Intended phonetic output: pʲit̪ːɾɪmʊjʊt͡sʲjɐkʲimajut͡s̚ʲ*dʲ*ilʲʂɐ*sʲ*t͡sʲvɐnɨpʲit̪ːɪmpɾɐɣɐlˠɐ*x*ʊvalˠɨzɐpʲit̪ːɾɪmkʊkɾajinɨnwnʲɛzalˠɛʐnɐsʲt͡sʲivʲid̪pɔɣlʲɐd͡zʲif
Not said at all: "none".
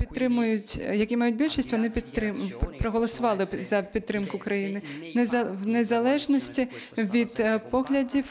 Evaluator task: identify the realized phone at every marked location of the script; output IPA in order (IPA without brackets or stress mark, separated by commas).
bʲ, sʲ, s